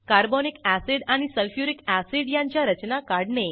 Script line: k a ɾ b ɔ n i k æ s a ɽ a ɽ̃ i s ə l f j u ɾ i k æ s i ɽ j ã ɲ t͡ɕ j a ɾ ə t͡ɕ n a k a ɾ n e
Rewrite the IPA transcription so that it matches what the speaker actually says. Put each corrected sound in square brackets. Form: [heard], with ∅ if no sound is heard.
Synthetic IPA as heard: k a ɾ b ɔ n i k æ s [i] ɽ a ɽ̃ i s ə l f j u ɾ i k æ s i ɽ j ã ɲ t͡ɕ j a ɾ ə t͡ɕ n a k a [ɽ] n e